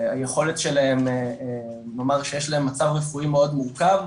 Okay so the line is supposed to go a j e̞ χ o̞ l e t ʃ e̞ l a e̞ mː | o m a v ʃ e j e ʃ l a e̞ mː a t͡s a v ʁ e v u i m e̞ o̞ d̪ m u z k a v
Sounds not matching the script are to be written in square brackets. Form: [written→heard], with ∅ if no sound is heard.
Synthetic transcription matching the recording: a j e̞ χ o̞ l e t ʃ e̞ l a e̞ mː | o m a [v→ʁ] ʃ e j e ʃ l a e̞ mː a t͡s a v ʁ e [v→f] u i m e̞ o̞ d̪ m u [z→ʁ] k a v